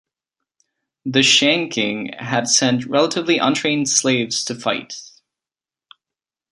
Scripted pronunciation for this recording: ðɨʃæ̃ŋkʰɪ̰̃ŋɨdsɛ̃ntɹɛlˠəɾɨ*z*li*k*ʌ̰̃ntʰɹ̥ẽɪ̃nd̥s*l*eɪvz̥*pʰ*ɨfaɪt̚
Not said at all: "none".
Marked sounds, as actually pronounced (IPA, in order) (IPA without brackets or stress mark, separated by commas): v, ʔ, l, tʰ